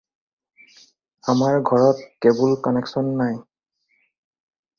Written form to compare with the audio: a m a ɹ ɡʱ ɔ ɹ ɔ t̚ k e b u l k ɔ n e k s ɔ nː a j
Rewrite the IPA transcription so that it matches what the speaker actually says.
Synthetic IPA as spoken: a m a ɹ ɡʱ ɔ ɹ ɔ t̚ k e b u l k ɔ n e k s ɔ nː a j